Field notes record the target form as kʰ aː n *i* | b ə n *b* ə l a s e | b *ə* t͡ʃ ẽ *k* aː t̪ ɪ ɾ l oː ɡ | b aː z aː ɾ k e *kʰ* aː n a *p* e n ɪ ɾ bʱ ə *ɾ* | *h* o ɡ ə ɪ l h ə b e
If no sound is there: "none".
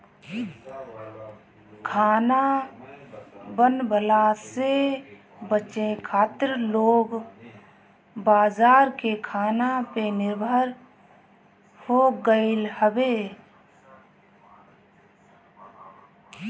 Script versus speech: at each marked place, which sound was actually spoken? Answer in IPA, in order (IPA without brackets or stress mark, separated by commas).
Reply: a, b, ə, kʰ, kʰ, p, ɾ, h